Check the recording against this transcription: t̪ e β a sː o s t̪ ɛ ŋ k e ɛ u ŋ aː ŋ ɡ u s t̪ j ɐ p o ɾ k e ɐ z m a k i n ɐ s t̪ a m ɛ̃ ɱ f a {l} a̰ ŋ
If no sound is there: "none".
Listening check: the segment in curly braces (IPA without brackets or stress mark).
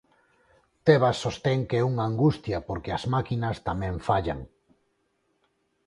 ʎ